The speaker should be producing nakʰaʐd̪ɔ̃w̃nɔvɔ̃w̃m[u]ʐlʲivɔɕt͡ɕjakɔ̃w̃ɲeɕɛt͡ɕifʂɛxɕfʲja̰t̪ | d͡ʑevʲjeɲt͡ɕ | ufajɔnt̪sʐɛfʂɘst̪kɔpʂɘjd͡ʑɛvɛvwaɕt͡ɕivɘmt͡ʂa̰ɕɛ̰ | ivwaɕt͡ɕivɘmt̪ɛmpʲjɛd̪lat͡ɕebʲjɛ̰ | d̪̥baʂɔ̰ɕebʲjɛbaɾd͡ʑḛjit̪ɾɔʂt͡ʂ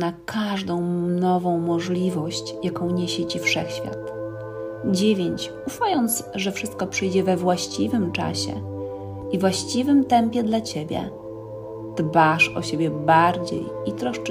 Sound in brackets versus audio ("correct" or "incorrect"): incorrect